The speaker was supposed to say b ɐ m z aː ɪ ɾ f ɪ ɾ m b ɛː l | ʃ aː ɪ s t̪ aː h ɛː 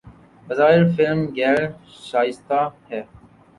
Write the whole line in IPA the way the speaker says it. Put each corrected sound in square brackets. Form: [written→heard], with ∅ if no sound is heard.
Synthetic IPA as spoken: b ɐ [m→∅] z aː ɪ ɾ f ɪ [ɾ→l] m [b→ɡ] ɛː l | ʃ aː ɪ s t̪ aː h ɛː